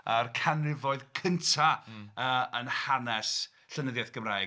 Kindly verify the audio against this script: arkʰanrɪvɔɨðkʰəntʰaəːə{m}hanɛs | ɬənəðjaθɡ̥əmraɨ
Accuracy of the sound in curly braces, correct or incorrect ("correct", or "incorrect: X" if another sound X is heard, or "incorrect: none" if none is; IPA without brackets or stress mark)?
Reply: incorrect: n